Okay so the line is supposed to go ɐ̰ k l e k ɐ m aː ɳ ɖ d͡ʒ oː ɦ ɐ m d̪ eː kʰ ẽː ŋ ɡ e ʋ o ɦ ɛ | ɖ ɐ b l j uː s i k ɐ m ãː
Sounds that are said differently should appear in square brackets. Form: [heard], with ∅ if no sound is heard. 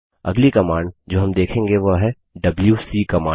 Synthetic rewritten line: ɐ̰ [ɡ] l [i] k ɐ m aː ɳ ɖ d͡ʒ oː ɦ ɐ m d̪ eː kʰ ẽː ŋ ɡ e ʋ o ɦ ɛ | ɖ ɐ b l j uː s i k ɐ m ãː